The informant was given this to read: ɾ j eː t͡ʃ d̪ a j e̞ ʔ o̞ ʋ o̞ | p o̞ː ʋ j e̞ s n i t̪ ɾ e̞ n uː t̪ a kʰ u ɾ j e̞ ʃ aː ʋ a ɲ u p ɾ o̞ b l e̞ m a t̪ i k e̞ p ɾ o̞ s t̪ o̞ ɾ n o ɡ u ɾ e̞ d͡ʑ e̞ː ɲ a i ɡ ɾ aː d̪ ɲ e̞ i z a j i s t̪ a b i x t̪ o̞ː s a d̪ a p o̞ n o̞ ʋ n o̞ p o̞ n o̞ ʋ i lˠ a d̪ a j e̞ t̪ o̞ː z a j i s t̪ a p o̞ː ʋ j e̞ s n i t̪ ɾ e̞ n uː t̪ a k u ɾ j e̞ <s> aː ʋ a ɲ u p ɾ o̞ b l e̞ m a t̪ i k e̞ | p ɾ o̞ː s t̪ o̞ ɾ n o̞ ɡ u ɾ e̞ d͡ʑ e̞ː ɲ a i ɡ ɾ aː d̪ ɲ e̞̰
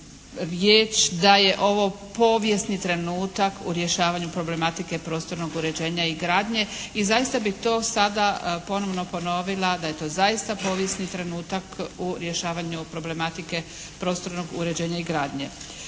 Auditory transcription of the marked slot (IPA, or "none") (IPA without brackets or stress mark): ʃ